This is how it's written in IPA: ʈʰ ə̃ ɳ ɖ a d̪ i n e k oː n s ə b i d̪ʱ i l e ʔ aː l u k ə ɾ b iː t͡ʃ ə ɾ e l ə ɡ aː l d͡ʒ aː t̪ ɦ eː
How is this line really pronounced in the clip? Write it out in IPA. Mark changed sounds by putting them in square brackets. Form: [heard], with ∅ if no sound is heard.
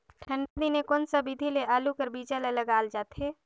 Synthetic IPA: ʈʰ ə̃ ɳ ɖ a d̪ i n e k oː n s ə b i d̪ʱ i l e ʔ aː l u k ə ɾ b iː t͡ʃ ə [l] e l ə ɡ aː l d͡ʒ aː t̪ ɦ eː